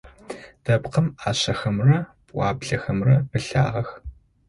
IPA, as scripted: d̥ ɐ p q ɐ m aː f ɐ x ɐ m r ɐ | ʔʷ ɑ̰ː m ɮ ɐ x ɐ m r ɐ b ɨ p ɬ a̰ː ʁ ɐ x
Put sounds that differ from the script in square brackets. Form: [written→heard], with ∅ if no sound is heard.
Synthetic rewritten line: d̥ ɐ p q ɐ m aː [f→ɕ] ɐ x ɐ m r ɐ | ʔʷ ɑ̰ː [m→b] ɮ ɐ x ɐ m r ɐ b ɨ [p→∅] ɬ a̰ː ʁ ɐ x